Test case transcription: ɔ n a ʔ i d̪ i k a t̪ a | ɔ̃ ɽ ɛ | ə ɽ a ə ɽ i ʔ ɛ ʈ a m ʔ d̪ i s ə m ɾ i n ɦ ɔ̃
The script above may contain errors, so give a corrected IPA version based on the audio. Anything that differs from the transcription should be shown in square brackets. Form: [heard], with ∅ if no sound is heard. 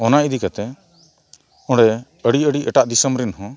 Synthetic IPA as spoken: ɔ n a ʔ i d̪ i k a t̪ [ɛ] | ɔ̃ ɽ ɛ | ə ɽ [i] ə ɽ i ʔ ɛ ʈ a [∅] ʔ d̪ i s ə m ɾ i n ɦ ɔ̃

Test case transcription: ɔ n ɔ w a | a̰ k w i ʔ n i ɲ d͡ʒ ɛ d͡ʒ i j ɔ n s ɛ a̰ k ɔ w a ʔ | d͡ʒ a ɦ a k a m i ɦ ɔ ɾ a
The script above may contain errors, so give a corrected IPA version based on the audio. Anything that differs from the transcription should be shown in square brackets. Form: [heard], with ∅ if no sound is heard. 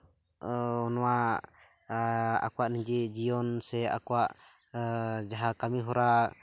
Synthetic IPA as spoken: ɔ n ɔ w a | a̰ k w [a] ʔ n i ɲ d͡ʒ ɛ d͡ʒ i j ɔ n s ɛ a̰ k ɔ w a ʔ | d͡ʒ a ɦ a k a m i ɦ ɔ ɾ a

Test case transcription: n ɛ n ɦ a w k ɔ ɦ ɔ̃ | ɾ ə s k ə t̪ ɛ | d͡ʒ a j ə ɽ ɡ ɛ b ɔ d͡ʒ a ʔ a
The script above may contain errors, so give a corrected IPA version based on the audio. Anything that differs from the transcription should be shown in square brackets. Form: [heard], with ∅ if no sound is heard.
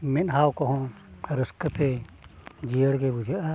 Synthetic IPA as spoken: [m] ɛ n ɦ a w k ɔ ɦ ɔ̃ | ɾ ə s k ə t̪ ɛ | d͡ʒ [i] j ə ɽ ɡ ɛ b [u] d͡ʒ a ʔ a

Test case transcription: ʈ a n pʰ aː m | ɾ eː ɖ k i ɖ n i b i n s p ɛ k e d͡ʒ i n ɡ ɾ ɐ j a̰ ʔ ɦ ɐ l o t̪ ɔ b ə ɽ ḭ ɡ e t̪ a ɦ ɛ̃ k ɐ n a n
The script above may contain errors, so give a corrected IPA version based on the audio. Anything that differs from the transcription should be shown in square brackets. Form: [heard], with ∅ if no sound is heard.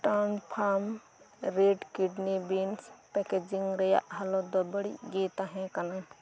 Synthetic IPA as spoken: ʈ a n pʰ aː m | ɾ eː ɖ k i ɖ n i b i n s p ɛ k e d͡ʒ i [ŋ] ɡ ɾ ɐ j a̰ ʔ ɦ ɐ l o [d̪] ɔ b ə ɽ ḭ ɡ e t̪ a ɦ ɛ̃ k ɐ n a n

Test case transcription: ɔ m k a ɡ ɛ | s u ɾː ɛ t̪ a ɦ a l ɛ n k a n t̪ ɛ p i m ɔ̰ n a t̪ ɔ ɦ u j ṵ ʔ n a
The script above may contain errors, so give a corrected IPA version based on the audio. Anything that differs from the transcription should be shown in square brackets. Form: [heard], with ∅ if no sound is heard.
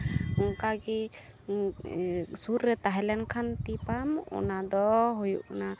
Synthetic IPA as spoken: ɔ [ŋ] k a ɡ ɛ | s u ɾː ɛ t̪ a ɦ [ɛ] l ɛ n [kʰ] a n t̪ [i] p [a] m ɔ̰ n a [d̪] ɔ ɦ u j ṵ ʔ n a

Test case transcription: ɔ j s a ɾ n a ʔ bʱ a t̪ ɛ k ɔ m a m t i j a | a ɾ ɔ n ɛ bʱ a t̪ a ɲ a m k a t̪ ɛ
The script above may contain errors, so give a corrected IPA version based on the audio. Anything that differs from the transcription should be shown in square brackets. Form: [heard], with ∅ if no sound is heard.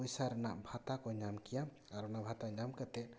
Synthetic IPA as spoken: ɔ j s a ɾ n a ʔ bʱ a t̪ [a] k ɔ [ɲ] a m [k] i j a | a ɾ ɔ n [a] bʱ a t̪ a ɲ a m k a t̪ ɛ

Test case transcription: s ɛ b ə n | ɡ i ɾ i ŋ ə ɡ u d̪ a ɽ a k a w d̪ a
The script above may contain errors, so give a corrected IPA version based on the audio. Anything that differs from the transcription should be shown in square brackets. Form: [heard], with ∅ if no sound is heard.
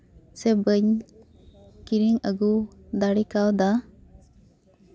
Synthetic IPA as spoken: s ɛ b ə [ɲ] | [k] i ɾ i ŋ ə ɡ u d̪ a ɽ [i] k a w d̪ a

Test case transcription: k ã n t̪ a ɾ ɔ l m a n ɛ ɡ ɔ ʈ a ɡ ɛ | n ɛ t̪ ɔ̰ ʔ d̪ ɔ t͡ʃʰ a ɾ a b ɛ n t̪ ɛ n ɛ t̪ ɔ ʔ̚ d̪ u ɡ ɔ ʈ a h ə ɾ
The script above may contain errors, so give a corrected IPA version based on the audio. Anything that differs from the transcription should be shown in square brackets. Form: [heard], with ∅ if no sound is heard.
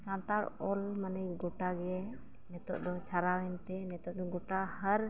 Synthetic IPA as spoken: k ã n t̪ a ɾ ɔ l m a n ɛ ɡ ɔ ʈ a ɡ ɛ | n ɛ t̪ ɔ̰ ʔ d̪ ɔ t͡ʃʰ a ɾ a [w] ɛ n t̪ ɛ n ɛ t̪ ɔ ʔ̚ d̪ [ɔ] ɡ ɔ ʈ a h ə ɾ

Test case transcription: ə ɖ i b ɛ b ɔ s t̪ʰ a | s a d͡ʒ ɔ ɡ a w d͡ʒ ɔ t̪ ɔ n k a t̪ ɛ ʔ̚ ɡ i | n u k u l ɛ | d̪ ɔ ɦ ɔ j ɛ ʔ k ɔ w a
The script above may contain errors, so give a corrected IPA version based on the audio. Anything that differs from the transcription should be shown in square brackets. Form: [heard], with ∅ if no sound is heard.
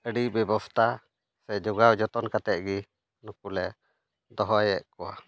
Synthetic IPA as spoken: ə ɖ i b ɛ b ɔ s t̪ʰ a | s [ɛ] d͡ʒ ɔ ɡ a w d͡ʒ ɔ t̪ ɔ n k a t̪ ɛ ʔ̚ ɡ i | n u k u l ɛ | d̪ ɔ ɦ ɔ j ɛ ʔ k ɔ w a

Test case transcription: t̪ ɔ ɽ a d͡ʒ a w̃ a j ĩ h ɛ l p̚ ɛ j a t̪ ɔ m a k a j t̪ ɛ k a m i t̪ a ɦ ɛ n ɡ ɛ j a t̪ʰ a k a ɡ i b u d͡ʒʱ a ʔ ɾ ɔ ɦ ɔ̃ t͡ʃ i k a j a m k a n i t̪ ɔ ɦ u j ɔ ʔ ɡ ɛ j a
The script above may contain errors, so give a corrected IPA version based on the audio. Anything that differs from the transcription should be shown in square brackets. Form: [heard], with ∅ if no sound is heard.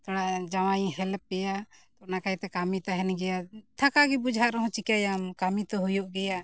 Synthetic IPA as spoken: t̪ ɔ ɽ a d͡ʒ a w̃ a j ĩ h ɛ l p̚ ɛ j a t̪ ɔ [n] a k a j t̪ ɛ k a m i t̪ a ɦ ɛ n ɡ ɛ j a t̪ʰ a k a ɡ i b u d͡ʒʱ a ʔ ɾ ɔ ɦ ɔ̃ t͡ʃ i k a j a m k a [m] i t̪ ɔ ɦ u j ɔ ʔ ɡ ɛ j a

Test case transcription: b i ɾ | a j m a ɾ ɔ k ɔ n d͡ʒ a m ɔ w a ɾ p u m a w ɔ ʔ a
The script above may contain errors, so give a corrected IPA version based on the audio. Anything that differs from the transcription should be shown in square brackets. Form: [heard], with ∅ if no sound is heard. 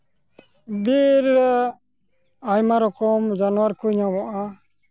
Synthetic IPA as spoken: b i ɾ | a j m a ɾ ɔ k ɔ [m] d͡ʒ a [n] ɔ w a ɾ [k] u [ɲ] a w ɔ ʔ a

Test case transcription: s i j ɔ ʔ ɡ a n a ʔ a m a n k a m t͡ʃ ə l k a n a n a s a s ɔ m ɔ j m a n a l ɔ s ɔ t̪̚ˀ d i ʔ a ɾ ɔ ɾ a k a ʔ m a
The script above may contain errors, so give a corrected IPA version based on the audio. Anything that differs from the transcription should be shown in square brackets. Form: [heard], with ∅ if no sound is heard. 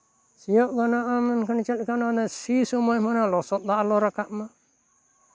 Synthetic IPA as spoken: s i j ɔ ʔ ɡ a n a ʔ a m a n k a [n] t͡ʃ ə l k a n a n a s [i] s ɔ m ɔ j m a n a l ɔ s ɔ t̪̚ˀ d [a] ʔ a [l] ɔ ɾ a k a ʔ m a

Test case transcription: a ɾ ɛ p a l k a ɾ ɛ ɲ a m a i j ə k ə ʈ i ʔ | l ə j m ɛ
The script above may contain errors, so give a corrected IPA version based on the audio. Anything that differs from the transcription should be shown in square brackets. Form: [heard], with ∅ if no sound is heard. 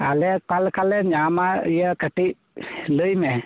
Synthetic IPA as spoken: a [l] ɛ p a l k a [l] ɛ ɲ a m a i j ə k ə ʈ i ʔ | l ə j m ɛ

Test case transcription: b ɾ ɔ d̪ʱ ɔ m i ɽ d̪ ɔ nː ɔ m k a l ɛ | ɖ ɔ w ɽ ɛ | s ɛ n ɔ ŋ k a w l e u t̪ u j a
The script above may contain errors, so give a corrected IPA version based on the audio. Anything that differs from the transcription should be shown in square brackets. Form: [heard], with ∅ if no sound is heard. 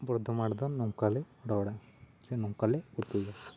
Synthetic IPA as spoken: b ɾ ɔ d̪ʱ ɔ m [a] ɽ d̪ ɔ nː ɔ [ŋ] k a l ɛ | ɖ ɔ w ɽ [a] | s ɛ n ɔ ŋ k a [∅] l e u t̪ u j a

